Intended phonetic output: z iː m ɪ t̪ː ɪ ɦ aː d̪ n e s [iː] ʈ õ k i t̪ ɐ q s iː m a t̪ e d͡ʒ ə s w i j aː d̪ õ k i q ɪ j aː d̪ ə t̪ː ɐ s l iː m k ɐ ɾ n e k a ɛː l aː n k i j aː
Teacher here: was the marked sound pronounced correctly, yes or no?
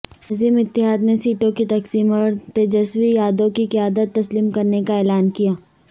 yes